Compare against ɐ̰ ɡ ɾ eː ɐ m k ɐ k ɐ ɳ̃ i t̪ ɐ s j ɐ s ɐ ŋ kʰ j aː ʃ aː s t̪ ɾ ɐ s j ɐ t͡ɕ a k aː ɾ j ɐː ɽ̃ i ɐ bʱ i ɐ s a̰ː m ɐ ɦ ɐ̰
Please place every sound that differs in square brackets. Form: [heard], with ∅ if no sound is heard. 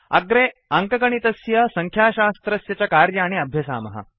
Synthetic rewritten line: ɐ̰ ɡ ɾ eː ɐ [ŋ] k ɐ k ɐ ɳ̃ i t̪ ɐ s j ɐ s ɐ ŋ kʰ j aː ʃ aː s t̪ ɾ ɐ s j ɐ t͡ɕ a k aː ɾ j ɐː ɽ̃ i ɐ bʱ [j] ɐ s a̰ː m ɐ ɦ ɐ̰